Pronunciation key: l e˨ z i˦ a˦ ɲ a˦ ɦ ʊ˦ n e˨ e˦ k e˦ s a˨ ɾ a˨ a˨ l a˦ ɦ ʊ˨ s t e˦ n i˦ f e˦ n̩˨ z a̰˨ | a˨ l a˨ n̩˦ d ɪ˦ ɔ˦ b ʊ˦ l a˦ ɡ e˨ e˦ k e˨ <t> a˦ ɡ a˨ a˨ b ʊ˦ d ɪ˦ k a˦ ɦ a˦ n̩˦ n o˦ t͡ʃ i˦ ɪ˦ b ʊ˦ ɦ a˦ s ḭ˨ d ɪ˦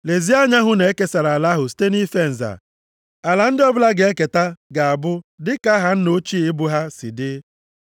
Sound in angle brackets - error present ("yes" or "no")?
no